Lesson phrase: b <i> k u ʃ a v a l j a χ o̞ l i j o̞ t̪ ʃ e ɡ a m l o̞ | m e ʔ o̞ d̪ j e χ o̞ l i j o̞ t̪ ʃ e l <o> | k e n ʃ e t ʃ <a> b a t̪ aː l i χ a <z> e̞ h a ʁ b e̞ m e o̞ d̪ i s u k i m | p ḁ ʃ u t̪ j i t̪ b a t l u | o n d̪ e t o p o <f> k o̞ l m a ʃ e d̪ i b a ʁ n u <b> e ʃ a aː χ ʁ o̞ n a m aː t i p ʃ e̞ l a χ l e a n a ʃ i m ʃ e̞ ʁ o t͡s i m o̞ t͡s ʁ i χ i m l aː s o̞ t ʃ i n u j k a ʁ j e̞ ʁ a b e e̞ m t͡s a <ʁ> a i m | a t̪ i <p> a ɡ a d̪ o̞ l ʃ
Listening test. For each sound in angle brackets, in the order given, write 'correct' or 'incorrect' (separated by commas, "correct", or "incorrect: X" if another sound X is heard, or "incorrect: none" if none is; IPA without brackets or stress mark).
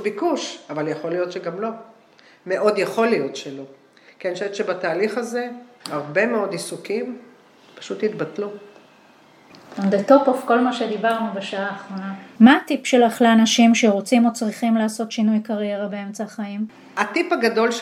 correct, correct, incorrect: e, correct, correct, correct, incorrect: χ, correct